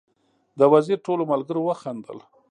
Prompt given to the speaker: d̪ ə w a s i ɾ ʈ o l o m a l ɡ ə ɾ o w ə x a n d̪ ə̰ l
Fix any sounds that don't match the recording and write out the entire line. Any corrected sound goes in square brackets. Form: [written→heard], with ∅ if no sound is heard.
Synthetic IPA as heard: d̪ ə w a [s→z] i ɾ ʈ o l o m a l ɡ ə ɾ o w ə x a n d̪ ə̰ l